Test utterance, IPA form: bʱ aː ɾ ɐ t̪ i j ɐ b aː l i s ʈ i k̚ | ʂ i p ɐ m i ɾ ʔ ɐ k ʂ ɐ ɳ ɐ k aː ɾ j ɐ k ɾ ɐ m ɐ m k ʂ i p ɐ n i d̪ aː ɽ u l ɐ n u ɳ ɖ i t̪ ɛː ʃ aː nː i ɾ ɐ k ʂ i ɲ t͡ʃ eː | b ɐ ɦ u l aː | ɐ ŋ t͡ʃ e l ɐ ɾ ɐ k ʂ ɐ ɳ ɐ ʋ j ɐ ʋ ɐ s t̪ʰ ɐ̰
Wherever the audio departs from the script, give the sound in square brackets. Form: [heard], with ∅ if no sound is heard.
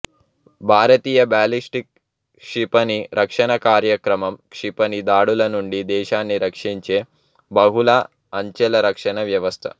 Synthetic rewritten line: bʱ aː ɾ ɐ t̪ [iː] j ɐ b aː l i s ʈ i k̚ | ʂ i p ɐ [n] i ɾ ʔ ɐ k ʂ ɐ ɳ ɐ k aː ɾ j ɐ k ɾ ɐ m ɐ m k ʂ i p ɐ n i d̪ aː ɽ u l ɐ n u ɳ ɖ i [d̪] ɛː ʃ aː nː i ɾ ɐ k ʂ i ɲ t͡ʃ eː | b ɐ ɦ u l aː | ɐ [ɲ] t͡ʃ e l ɐ ɾ ɐ k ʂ ɐ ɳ ɐ ʋ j ɐ ʋ ɐ s t̪ʰ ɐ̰